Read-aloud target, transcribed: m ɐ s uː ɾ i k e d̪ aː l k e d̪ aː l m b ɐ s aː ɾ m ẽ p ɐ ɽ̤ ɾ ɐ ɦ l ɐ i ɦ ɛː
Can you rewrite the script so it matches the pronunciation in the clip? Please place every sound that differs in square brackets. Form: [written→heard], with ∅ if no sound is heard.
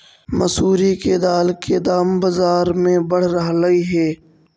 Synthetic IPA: m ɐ s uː ɾ i k e d̪ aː l k e d̪ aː [l→∅] m b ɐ [s→z] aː ɾ m ẽ [p→b] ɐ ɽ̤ ɾ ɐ ɦ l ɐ i ɦ ɛː